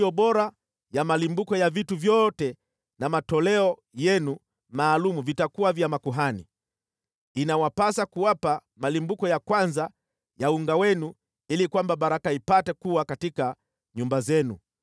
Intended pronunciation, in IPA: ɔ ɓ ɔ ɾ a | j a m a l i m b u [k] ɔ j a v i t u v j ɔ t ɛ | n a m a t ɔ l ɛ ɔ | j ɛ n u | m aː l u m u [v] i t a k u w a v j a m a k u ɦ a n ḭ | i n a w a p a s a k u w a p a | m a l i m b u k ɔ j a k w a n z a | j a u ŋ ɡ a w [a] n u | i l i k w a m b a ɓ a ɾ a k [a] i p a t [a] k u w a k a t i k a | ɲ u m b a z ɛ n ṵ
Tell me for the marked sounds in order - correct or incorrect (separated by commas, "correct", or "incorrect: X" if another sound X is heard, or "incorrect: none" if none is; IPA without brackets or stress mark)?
correct, correct, incorrect: ɛ, correct, incorrect: ɛ